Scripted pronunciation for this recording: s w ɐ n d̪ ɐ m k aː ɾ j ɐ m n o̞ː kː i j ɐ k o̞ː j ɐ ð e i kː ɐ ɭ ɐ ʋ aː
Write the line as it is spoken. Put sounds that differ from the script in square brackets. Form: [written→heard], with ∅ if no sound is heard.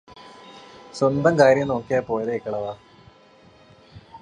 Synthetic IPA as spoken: s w ɐ n d̪ ɐ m k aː ɾ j ɐ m n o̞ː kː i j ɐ [k→p] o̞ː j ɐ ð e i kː ɐ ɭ ɐ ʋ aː